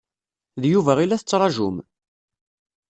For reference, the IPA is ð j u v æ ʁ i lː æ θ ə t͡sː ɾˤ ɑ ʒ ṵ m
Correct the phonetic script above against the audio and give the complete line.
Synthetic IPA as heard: ð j u v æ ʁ i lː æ θ ə t͡sː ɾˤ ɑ ʒ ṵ m